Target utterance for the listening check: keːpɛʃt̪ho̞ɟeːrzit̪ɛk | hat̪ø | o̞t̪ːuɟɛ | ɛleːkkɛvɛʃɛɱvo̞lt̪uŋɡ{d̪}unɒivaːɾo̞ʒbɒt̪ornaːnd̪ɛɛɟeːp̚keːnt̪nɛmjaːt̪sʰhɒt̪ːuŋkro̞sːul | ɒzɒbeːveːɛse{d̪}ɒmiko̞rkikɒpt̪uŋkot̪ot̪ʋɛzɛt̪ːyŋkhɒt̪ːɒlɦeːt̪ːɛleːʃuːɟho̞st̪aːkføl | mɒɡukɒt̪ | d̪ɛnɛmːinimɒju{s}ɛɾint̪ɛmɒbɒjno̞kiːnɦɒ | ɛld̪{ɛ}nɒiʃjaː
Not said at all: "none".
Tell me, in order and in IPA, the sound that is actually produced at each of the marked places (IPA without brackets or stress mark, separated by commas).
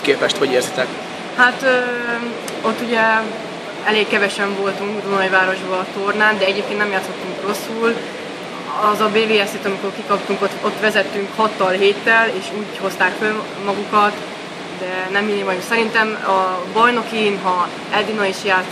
d̪, t̪, s, i